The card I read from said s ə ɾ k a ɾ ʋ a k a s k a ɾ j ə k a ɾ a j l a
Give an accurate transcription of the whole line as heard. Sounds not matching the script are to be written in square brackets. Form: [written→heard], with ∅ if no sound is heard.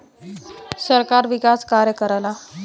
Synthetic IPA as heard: s ə ɾ k a ɾ ʋ [a→i] k a s k a ɾ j ə k [a→ə] ɾ a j l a

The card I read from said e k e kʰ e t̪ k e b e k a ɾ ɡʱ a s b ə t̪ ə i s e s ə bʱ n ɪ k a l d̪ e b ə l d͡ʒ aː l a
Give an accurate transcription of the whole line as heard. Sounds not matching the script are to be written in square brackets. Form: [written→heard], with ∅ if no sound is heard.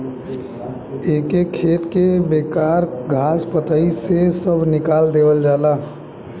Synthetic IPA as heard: e k e kʰ e t̪ k e b e k a ɾ ɡʱ a s [b→p] ə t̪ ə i s e s ə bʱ n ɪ k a l d̪ e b ə l d͡ʒ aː l a

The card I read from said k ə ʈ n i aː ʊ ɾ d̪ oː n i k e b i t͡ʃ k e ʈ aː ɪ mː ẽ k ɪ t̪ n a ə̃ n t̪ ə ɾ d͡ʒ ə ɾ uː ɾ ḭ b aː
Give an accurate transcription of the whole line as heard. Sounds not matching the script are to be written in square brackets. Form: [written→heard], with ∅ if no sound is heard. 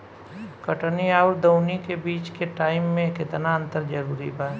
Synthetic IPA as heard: k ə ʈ n i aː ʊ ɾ d̪ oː n i k e b [i→iː] t͡ʃ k e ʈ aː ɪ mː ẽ k ɪ t̪ n a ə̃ n t̪ ə ɾ d͡ʒ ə ɾ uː ɾ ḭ b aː

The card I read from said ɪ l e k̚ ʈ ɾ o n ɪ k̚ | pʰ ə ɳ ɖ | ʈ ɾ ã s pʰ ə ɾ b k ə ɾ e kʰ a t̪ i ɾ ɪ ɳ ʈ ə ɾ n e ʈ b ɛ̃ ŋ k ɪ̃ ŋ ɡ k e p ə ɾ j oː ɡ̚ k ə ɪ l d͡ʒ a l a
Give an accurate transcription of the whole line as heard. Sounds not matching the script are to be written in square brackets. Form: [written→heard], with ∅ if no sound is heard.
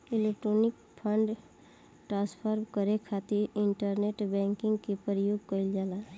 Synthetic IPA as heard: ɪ l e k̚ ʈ ɾ o n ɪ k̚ | pʰ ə ɳ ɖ | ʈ ɾ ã s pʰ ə ɾ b k ə ɾ e kʰ a t̪ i ɾ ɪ ɳ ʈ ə ɾ n e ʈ b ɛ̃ ŋ k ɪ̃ ŋ ɡ k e p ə ɾ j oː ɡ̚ k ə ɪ l d͡ʒ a l a

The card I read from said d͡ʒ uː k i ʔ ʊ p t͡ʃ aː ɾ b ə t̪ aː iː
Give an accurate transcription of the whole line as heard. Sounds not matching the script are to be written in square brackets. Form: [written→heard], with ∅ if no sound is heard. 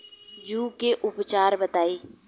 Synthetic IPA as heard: d͡ʒ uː k [i→e] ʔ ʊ p t͡ʃ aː ɾ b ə t̪ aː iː

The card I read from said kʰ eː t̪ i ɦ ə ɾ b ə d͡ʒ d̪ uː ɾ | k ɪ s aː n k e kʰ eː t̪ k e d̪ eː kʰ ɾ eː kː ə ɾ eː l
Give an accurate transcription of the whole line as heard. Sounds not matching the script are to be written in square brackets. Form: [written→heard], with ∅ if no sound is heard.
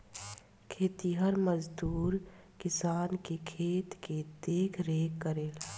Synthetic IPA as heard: kʰ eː t̪ i ɦ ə ɾ [b→m] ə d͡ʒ d̪ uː ɾ | k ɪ s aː n k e kʰ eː t̪ k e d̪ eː kʰ ɾ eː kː ə ɾ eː l

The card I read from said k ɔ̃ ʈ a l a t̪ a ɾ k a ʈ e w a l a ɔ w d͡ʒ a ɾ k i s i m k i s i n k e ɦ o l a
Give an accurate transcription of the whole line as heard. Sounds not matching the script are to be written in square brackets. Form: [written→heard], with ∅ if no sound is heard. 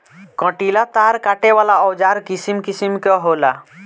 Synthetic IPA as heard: k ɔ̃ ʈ [a→i] l a t̪ a ɾ k a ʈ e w a l a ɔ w d͡ʒ a ɾ k i s i m k i s i [n→m] k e ɦ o l a

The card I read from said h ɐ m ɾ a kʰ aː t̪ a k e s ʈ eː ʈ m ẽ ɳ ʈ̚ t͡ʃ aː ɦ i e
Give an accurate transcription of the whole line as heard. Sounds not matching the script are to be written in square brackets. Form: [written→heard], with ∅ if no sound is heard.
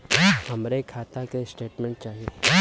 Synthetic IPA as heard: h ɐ m ɾ [a→e] kʰ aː t̪ a k e s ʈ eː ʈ m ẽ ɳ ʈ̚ t͡ʃ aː ɦ i e

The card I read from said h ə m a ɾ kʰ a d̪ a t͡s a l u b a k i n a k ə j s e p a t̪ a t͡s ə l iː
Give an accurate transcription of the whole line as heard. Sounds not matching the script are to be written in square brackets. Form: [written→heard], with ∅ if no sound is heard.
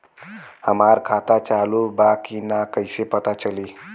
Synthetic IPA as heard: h ə m a ɾ kʰ a [d̪→t̪] a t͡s a l u b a k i n a k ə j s e p [a→ə] t̪ a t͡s ə l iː

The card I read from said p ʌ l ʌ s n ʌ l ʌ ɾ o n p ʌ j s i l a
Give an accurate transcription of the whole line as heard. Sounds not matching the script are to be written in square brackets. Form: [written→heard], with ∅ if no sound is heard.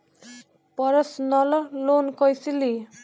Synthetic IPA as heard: p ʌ [l→ɾ] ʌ s n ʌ l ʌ [ɾ→l] o n [p→k] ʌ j s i l [a→i]

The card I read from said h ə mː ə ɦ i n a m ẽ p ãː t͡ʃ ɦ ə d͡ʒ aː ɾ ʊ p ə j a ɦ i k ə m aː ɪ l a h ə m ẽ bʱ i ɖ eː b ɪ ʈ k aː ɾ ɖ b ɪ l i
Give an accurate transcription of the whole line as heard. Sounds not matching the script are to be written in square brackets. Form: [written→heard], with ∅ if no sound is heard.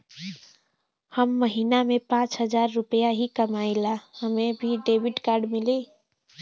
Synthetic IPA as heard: h ə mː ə ɦ i n a m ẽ p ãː t͡ʃ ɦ ə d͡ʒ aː [ɾ→ɾː] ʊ p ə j a ɦ i k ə m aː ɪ l a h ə m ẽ bʱ i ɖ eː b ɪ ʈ k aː ɾ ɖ [b→m] ɪ l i

